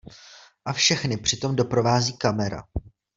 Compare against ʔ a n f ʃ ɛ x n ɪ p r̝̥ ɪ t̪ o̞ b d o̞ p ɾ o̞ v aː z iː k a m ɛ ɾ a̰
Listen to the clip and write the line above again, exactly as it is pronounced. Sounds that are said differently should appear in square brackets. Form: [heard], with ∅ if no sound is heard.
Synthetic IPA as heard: ʔ a [∅] f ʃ ɛ x n ɪ p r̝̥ ɪ t̪ o̞ [m] d o̞ p ɾ o̞ v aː z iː k a m ɛ ɾ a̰